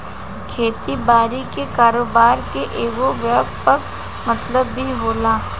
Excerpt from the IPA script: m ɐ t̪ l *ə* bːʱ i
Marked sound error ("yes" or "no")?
no